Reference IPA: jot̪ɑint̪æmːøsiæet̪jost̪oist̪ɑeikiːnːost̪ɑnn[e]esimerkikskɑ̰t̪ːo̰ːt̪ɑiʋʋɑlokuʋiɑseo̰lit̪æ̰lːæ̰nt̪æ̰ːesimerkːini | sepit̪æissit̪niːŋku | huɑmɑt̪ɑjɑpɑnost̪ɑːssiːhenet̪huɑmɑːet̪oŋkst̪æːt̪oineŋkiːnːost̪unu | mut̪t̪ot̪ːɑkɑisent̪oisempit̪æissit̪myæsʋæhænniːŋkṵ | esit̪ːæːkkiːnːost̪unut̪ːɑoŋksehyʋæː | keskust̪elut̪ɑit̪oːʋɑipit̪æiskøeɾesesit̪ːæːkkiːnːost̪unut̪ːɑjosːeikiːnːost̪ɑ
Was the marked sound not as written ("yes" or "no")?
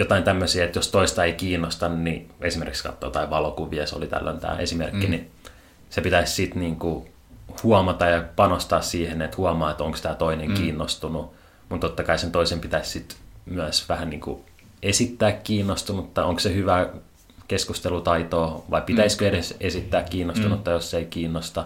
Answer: yes